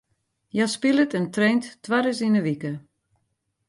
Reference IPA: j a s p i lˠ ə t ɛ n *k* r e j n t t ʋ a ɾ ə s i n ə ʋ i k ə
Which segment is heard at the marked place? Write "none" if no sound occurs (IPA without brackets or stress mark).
t